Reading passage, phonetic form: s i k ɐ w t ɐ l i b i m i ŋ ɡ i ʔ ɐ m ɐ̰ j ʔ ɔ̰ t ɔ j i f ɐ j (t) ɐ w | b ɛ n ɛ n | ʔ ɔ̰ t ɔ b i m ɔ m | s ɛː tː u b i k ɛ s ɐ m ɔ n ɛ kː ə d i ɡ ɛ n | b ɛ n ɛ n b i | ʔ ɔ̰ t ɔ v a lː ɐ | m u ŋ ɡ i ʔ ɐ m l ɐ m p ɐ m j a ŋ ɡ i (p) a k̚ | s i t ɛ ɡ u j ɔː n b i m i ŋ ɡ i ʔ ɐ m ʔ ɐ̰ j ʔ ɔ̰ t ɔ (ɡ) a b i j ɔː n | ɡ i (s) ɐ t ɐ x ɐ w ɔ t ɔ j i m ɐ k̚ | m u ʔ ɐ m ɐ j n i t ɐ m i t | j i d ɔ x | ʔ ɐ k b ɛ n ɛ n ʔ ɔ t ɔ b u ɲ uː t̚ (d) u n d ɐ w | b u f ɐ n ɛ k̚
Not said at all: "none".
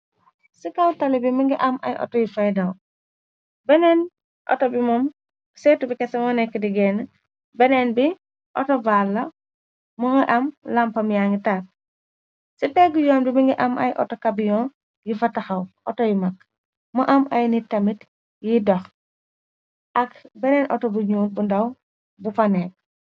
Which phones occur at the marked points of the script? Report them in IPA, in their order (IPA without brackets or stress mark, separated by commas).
d, t, k, f, b